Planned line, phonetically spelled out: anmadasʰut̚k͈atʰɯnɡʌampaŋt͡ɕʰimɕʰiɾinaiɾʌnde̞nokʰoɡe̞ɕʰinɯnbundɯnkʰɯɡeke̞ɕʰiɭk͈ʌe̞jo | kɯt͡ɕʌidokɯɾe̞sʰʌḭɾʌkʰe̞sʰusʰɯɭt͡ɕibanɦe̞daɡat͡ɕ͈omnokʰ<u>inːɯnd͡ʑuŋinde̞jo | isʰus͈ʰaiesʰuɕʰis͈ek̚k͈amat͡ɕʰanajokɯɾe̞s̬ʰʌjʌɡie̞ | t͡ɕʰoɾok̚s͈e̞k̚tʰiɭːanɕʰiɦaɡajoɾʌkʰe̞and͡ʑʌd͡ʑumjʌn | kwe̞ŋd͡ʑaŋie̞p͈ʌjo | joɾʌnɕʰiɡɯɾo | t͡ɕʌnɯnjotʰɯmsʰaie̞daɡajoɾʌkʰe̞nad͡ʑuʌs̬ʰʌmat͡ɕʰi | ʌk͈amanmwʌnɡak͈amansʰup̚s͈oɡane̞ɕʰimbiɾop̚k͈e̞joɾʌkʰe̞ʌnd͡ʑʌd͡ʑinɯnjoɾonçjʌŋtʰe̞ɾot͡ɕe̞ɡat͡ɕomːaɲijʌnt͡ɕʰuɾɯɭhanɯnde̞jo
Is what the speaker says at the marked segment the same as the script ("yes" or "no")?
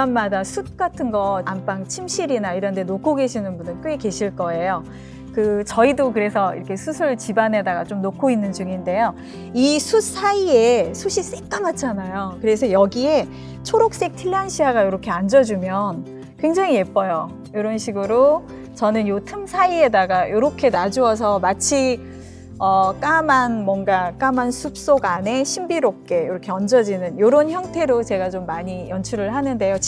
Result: no